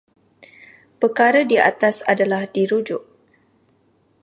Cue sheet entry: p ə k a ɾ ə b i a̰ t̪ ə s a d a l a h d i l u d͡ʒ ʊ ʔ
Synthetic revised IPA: p ə k a ɾ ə d i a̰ t̪ a s a d a l a h d i ɾ u d͡ʒ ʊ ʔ

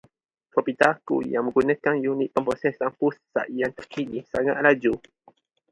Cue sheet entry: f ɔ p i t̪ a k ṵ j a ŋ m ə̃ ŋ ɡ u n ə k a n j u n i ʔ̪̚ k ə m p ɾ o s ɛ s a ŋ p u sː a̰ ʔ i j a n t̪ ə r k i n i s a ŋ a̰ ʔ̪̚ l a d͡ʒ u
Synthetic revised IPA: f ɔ p i t̪ a k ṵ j a ŋ m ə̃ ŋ ɡ u n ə k a n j u n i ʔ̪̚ p ə m p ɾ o s ɛ s a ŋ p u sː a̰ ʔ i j a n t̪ ə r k i n i s a ŋ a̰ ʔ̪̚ l a d͡ʒ u

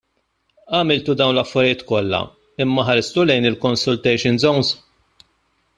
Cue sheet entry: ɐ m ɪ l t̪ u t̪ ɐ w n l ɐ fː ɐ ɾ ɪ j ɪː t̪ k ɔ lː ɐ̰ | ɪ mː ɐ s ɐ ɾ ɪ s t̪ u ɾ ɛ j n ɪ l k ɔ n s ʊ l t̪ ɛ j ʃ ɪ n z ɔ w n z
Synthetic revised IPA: ɐ m ɪ l t̪ u d̪ ɐ w n l ɐ fː ɐ ɾ ɪ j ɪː t̪ k ɔ lː ɐ̰ | ɪ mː ɐ ħ ɐ ɾ ɪ s t̪ u l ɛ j n ɪ l k ɔ n s ʊ l t̪ ɛ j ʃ ɪ n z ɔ w n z

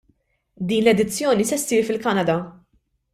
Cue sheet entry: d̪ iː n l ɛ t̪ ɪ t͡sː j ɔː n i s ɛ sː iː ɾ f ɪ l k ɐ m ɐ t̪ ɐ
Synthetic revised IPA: d̪ iː n l ɛ d̪ ɪ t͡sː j ɔː n i s ɛ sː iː ɾ f ɪ l k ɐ n ɐ d̪ ɐ

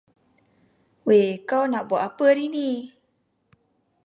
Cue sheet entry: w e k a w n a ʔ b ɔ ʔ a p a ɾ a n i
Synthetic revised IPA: w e k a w n a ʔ b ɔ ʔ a p ə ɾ i n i

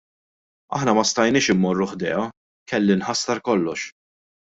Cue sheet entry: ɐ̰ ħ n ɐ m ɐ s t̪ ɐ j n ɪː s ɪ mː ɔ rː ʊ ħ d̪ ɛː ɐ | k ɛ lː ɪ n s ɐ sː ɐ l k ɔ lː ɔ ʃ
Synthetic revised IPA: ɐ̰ ħ n ɐ m ɐ s t̪ ɐ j n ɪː ʃ ɪ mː ɔ rː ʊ ħ d̪ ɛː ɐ | k ɛ lː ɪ n ħ ɐ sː ɐ ɾ k ɔ lː ɔ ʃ

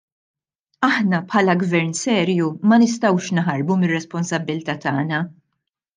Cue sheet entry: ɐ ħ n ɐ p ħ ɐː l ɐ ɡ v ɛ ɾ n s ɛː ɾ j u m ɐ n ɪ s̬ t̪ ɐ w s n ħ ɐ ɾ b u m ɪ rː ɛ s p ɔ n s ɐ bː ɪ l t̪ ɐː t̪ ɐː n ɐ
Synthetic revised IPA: ɐ ħ n ɐ p ħ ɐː l ɐ ɡ v ɛ ɾ n s ɛː ɾ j u m ɐ n ɪ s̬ t̪ ɐ w ʃ n ħ ɐ ɾ b u m ɪ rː ɛ s p ɔ n s ɐ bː ɪ l t̪ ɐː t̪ ɐː n ɐ

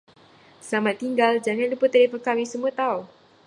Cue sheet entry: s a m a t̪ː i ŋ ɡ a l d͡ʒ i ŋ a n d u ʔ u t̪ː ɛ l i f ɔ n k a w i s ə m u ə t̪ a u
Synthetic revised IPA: s a m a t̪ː i ŋ ɡ a l d͡ʒ a ŋ a n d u p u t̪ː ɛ l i f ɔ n k a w i s ə m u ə t̪ a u

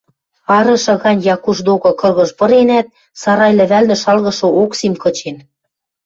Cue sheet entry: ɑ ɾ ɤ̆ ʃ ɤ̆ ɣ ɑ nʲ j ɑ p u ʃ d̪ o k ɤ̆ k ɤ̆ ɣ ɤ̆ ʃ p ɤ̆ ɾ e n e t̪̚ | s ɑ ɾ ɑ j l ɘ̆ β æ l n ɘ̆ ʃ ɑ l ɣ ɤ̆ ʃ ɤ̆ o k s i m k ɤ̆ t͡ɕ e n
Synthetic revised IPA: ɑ ɾ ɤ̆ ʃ ɤ̆ ɣ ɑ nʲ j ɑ k u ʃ d̪ o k ɤ̆ k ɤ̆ ɣ ɤ̆ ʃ p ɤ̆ ɾ e n æ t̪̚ | s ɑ ɾ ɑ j l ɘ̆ β æ l n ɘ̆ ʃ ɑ l ɣ ɤ̆ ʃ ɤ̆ o k s i m k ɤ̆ t͡ɕ e n

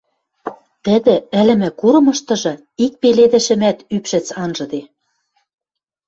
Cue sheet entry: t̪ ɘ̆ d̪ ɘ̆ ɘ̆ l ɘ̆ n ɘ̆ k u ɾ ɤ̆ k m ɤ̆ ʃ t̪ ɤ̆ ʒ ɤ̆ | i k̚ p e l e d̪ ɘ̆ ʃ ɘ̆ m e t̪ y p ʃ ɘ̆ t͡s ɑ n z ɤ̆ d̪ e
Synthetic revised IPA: t̪ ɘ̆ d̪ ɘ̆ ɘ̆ l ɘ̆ m ɘ̆ k u ɾ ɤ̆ m ɤ̆ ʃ t̪ ɤ̆ ʒ ɤ̆ | i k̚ p e l e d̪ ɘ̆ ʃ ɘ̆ m æ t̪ y p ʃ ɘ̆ t͡s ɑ n ʒ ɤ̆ d̪ e

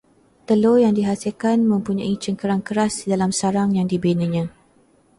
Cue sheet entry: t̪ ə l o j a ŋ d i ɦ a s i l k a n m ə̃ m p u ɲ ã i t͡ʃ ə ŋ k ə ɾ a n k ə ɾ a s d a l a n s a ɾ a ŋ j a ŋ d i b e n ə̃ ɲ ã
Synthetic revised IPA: t̪ ə l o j a ŋ d i ɦ a s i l k a n m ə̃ m p u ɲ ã i t͡ʃ ə ŋ k ə ɾ a ŋ k ə ɾ a s d a l a m s a ɾ a ŋ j a ŋ d i b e n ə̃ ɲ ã

